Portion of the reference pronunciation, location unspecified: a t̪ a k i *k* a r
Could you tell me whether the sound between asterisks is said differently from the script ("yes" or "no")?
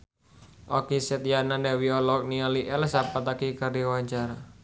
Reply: no